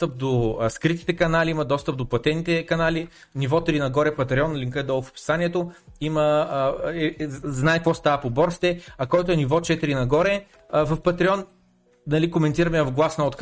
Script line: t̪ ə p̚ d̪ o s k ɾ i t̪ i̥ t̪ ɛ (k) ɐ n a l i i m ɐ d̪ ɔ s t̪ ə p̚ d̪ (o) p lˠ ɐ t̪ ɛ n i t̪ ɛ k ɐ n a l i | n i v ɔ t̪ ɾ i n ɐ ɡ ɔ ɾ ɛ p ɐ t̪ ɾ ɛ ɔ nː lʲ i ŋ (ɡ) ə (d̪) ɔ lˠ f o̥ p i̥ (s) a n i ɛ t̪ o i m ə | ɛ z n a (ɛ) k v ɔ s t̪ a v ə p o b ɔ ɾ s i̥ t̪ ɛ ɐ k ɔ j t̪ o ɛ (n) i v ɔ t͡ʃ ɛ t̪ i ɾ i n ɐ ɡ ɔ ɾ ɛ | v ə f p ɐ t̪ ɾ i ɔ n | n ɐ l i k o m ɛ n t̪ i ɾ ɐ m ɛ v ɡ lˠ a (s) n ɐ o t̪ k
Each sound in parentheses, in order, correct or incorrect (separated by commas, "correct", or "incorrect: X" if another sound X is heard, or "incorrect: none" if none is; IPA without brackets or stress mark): correct, correct, incorrect: k, correct, correct, correct, correct, correct